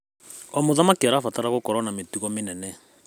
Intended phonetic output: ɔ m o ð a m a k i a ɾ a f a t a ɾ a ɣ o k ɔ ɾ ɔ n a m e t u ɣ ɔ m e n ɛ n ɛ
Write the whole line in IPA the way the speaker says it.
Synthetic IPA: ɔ m o ð a m a k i a ɾ a f a t a ɾ a ɣ o k ɔ ɾ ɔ n a m e t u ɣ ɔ m e n ɛ n ɛ